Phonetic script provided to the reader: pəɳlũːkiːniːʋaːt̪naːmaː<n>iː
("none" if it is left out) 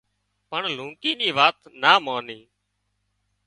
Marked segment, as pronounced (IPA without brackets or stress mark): n